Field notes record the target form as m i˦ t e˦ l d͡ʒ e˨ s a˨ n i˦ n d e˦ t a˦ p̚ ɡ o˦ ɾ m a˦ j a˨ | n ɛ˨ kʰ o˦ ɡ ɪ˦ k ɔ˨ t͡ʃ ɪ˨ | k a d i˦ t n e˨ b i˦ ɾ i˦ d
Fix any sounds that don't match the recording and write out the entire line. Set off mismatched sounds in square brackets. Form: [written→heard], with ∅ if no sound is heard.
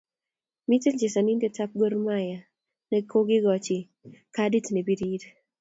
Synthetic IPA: m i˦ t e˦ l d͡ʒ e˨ s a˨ n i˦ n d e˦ t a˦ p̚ ɡ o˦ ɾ m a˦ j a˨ | n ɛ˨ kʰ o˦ ɡ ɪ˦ [k→ɡ] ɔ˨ t͡ʃ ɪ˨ | k a d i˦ t n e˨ b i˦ ɾ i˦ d